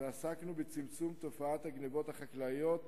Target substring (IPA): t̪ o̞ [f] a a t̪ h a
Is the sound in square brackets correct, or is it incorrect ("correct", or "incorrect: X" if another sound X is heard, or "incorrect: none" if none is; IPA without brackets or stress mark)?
correct